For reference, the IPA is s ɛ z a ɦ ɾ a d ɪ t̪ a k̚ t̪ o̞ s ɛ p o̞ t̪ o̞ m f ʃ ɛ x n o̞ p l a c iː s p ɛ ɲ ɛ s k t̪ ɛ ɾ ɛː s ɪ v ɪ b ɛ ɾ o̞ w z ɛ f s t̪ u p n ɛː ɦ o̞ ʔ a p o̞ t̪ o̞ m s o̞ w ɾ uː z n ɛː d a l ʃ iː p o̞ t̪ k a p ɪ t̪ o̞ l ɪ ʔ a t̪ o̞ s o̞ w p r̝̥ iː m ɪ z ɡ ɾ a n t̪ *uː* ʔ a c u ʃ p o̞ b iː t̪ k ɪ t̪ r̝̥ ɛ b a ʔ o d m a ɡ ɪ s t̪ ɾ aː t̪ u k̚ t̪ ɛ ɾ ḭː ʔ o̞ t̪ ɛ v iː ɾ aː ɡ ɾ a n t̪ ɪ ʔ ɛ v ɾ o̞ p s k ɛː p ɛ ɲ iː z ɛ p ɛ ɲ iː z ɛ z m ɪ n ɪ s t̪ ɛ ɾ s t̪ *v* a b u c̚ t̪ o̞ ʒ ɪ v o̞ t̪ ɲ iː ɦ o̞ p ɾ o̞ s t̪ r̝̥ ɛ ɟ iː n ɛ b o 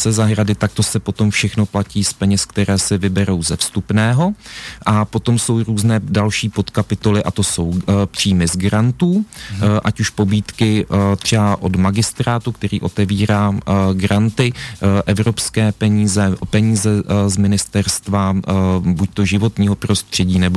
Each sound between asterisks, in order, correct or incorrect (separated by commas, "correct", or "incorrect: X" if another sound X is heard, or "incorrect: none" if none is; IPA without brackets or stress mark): correct, correct